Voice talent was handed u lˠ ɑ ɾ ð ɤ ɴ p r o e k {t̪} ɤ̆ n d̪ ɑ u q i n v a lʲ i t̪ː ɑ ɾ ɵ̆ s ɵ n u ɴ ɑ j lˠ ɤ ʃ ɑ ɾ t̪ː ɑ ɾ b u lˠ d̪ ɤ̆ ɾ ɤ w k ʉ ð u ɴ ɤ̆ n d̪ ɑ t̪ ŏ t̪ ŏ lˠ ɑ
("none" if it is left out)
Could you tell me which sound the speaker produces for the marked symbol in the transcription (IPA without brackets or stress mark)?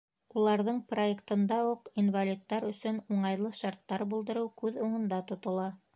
t̪